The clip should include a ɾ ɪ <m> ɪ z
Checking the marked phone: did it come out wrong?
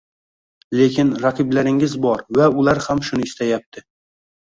yes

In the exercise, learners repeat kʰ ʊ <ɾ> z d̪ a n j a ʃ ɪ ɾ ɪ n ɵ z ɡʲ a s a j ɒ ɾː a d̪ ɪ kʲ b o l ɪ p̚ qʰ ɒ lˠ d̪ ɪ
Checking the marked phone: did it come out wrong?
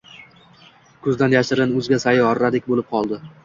yes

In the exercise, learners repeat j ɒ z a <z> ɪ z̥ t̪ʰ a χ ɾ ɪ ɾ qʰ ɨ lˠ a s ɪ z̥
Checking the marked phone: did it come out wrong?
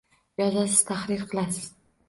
yes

